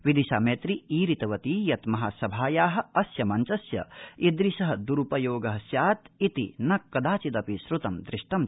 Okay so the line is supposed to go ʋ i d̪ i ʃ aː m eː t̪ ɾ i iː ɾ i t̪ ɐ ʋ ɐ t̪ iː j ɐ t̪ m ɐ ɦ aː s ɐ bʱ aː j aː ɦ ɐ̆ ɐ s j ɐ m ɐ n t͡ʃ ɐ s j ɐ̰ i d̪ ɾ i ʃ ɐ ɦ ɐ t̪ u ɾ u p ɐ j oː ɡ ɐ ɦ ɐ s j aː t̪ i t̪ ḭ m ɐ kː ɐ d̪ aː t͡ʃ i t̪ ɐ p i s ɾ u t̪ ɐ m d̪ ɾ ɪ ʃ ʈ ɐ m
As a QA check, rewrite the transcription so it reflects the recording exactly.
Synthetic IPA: ʋ i d̪ i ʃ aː m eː t̪ ɾ i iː ɾ i t̪ ɐ ʋ ɐ t̪ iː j ɐ t̪ m ɐ ɦ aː s ɐ bʱ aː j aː ɦ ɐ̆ ɐ s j ɐ m ɐ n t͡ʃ ɐ s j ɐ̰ i d̪ ɾ i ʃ ɐ ɦ ɐ d̪ u ɾ u p ɐ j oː ɡ ɐ ɦ ɐ s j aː t̪ i t̪ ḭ n ɐ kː ɐ d̪ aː t͡ʃ i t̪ ɐ p i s ɾ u t̪ ɐ m d̪ ɾ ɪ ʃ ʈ ɐ m

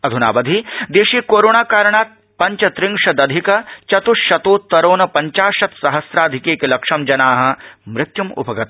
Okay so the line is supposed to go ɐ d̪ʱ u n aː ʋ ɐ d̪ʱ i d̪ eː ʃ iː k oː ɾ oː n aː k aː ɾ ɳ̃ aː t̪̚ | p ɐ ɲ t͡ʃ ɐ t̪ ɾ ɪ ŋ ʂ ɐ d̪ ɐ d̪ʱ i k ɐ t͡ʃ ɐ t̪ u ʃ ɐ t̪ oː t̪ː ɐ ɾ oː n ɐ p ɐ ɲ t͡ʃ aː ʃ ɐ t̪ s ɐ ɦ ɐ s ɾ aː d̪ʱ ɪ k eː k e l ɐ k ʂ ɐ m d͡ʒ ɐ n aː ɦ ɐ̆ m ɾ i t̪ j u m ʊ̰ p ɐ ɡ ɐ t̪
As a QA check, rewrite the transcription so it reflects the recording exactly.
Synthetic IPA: ɐ d̪ʱ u n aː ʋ ɐ d̪ʱ i d̪ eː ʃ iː k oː ɾ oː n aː k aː ɾ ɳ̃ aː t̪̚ | p ɐ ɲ t͡ʃ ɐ t̪ ɾ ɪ ŋ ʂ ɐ d̪ ɐ d̪ʱ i k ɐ t͡ʃ ɐ t̪ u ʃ ɐ t̪ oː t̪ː ɐ ɾ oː n ɐ p ɐ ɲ t͡ʃ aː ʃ ɐ t̪ s ɐ ɦ ɐ s ɾ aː d̪ʱ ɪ k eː k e l ɐ k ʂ ɐ m d͡ʒ ɐ n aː ɦ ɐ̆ m ɾ ɪ t̪ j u m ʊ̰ p ɐ ɡ ɐ t̪

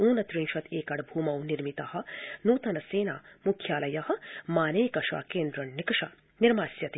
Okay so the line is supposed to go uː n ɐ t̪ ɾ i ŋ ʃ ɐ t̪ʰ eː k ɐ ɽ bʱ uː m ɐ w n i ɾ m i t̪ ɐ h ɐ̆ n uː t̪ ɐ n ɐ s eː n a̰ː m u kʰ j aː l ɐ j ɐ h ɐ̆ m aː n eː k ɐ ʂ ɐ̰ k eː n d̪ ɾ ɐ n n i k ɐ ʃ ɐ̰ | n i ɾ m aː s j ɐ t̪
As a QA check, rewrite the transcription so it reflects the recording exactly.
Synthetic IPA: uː n ɐ t̪ ɾ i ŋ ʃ ɐ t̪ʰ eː k ɐ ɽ bʱ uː m ɐ w n i ɾ m i t̪ ɐ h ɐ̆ n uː t̪ ɐ n ɐ s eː n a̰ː m u kʰ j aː l ɐ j ɐ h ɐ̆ m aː n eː k ɐ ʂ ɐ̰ k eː n d̪ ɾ ɐ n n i k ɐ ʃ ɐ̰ | n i ɾ m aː s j ɐ t̪

